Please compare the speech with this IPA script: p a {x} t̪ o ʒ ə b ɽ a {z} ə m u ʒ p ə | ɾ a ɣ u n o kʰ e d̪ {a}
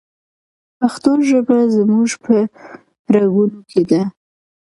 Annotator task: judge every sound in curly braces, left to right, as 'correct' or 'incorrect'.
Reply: correct, correct, correct

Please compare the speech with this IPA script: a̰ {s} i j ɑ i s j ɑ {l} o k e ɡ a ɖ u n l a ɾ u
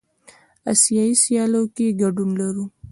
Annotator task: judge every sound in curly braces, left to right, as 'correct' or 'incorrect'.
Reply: correct, correct

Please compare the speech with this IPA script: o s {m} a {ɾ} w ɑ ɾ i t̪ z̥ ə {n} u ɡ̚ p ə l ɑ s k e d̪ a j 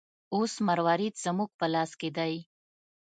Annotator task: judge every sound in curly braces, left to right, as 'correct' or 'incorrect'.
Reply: correct, correct, incorrect

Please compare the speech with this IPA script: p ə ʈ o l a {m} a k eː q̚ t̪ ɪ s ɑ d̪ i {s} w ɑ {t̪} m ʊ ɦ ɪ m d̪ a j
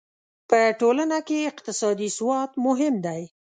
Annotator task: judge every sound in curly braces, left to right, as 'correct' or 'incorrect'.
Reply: incorrect, correct, correct

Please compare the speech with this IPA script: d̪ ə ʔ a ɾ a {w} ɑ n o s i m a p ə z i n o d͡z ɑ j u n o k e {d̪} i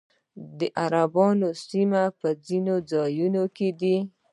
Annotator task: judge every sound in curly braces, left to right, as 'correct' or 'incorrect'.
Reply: incorrect, correct

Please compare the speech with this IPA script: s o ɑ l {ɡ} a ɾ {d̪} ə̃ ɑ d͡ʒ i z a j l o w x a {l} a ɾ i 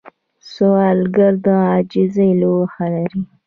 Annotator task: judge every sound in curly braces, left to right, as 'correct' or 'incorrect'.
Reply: correct, correct, correct

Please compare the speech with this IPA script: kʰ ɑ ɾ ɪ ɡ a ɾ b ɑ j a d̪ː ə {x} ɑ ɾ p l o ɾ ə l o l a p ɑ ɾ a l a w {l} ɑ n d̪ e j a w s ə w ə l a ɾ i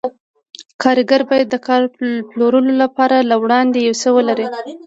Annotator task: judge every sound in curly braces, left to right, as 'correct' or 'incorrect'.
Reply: incorrect, incorrect

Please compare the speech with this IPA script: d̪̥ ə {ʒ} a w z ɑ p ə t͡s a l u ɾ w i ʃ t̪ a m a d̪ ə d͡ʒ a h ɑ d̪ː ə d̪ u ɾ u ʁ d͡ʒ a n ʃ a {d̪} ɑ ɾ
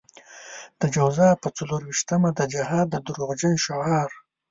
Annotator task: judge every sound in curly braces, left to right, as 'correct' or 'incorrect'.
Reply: incorrect, incorrect

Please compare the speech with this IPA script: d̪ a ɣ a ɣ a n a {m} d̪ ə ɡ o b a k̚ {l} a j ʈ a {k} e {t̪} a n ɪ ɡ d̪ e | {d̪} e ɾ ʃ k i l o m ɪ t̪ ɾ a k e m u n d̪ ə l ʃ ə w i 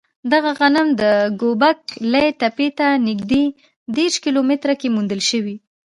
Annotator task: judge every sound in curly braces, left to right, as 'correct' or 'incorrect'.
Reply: correct, correct, incorrect, correct, correct

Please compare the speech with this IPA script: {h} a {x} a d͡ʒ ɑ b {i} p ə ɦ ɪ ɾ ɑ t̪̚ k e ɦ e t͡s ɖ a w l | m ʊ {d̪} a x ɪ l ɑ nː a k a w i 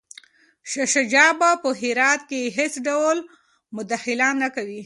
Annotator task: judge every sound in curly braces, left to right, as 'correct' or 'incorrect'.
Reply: incorrect, incorrect, incorrect, correct

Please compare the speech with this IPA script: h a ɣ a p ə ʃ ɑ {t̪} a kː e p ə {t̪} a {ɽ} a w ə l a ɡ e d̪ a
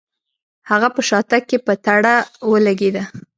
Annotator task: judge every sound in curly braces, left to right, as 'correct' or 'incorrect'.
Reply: correct, correct, correct

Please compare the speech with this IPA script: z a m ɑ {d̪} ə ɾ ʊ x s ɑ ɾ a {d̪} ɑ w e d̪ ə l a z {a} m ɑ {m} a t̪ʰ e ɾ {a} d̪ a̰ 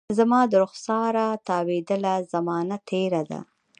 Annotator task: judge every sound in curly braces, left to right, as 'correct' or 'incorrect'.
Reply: correct, incorrect, correct, incorrect, correct

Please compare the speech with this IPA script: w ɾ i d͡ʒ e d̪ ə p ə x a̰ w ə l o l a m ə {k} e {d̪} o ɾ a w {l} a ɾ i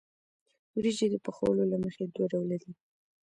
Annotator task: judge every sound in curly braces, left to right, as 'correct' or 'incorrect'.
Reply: incorrect, correct, correct

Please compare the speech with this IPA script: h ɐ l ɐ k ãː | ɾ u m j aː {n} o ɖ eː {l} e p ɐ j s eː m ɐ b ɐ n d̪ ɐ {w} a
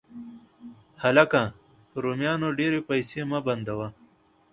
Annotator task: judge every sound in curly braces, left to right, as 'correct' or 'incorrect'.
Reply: correct, incorrect, correct

